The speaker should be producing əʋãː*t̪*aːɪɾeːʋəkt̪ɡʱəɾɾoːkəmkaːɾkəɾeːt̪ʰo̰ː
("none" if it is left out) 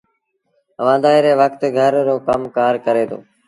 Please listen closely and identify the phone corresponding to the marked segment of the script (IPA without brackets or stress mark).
d̪